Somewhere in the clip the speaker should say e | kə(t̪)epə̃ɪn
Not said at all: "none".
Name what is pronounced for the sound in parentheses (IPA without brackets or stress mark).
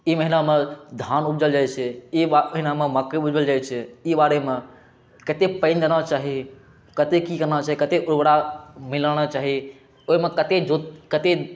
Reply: t̪